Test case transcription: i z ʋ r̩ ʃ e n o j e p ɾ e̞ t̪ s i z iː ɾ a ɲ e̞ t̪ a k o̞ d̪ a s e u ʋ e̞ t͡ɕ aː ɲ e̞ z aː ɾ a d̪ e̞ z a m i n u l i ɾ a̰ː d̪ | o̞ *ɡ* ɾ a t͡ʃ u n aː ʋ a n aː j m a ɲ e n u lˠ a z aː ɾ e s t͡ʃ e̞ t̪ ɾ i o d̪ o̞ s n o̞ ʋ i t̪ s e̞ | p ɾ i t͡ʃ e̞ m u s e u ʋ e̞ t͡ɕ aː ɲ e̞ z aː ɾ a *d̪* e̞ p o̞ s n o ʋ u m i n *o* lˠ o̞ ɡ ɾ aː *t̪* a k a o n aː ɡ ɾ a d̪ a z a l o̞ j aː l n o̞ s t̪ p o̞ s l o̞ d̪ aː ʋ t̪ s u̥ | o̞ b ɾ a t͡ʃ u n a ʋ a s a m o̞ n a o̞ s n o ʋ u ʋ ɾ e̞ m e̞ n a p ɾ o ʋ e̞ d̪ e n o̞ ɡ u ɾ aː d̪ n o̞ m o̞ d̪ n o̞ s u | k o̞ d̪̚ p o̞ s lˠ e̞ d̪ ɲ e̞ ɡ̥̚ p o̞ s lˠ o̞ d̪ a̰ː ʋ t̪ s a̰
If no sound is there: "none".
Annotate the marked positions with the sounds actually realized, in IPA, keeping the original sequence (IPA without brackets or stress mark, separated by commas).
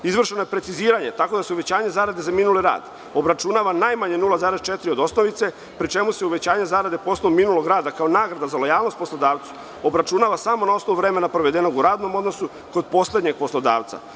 b, d̪, u, d̪